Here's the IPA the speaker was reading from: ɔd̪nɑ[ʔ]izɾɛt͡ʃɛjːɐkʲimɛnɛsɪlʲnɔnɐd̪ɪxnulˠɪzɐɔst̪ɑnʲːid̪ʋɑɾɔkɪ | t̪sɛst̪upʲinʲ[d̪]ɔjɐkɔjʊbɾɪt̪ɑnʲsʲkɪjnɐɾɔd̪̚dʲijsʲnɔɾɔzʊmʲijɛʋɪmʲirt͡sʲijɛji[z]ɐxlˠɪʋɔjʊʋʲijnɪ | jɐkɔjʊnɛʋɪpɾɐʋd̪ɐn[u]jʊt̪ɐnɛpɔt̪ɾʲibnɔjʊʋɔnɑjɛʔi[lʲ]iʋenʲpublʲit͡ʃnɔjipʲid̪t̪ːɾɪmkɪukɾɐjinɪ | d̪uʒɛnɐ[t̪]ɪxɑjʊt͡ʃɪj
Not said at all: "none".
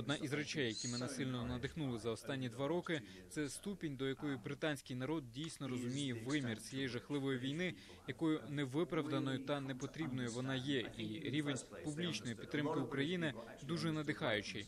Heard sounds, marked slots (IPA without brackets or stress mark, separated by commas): ʔ, d̪, ʒ, ɔ, ɾʲ, d̪